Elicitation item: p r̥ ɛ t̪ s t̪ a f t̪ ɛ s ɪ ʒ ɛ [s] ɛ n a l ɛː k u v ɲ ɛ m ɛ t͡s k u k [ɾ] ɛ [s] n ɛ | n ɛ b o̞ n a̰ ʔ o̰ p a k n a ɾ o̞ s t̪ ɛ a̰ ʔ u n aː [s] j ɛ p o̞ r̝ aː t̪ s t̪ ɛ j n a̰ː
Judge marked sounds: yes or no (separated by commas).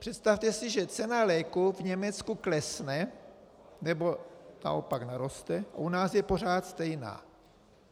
no, no, yes, yes